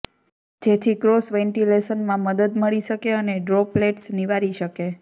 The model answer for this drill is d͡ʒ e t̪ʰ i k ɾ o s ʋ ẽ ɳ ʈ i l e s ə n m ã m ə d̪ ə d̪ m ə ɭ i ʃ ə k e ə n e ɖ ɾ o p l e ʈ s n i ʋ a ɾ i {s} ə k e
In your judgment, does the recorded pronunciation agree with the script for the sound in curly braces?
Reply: no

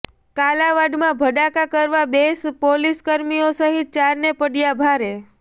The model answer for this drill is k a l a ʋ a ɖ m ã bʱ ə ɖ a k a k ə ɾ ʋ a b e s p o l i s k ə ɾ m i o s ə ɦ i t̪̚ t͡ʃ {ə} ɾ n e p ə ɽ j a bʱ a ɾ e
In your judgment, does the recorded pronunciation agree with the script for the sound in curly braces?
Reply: no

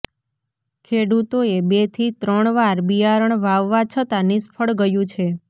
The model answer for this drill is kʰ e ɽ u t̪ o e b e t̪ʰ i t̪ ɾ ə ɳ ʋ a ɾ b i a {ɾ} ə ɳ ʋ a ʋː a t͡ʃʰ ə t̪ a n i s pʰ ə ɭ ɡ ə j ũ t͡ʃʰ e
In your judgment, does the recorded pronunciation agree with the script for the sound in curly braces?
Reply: yes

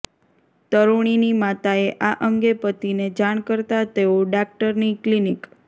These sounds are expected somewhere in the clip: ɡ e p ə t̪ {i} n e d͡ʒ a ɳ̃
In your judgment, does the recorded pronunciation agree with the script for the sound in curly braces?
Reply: yes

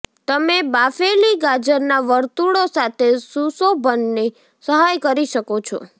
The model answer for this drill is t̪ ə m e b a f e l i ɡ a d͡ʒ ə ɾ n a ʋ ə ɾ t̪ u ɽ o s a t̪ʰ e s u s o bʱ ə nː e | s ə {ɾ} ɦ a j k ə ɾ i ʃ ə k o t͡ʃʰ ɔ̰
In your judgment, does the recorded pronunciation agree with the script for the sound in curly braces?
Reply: no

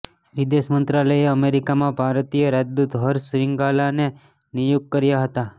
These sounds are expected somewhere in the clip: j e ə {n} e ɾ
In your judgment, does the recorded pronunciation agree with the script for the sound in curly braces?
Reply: no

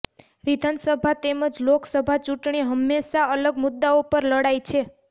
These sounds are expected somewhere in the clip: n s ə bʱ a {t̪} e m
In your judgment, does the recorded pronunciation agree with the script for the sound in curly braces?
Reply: yes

